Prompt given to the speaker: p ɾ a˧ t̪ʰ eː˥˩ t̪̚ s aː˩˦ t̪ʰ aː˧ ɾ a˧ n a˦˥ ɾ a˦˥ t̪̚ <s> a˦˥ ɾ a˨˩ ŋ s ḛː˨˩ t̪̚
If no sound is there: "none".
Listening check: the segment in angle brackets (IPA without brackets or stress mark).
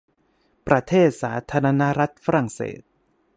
f